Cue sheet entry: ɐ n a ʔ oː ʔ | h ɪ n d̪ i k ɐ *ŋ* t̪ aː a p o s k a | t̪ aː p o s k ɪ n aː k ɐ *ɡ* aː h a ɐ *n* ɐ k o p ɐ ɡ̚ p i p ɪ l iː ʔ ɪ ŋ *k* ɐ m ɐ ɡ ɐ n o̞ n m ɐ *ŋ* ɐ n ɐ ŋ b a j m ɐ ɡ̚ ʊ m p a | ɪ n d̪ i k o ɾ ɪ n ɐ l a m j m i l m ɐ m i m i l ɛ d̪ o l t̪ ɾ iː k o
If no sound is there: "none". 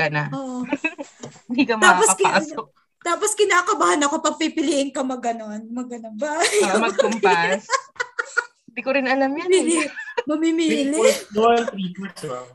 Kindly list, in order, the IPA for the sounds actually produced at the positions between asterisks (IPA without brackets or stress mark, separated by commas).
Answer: m, b, n, k, ɡ